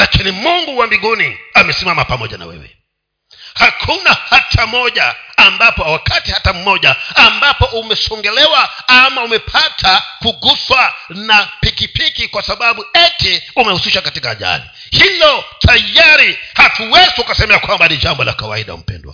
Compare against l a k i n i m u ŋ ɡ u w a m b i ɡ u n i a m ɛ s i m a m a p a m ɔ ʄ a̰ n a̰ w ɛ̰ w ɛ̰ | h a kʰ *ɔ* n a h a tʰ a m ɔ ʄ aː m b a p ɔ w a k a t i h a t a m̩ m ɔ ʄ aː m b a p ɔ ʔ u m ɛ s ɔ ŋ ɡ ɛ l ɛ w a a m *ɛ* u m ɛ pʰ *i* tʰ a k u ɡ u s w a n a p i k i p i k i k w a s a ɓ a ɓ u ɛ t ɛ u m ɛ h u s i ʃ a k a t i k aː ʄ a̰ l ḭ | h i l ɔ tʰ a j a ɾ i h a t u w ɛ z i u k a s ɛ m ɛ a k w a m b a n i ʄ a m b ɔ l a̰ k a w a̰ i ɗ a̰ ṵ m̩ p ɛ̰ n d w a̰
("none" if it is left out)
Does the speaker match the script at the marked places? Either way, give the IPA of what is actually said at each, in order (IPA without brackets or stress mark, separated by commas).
u, a, a